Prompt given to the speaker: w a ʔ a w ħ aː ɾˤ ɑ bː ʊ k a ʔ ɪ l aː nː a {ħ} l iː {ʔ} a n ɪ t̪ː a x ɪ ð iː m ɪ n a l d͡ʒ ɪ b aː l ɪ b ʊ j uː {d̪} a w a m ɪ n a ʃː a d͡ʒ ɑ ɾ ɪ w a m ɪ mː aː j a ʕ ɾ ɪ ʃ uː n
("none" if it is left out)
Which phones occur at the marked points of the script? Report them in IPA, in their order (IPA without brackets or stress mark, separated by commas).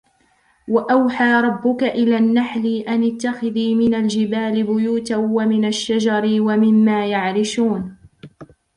ħ, ʔ, t̪